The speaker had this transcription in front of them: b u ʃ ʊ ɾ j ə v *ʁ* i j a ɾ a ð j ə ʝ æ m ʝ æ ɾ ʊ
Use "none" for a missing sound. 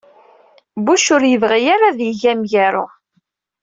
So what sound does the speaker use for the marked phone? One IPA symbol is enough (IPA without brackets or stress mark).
ʁ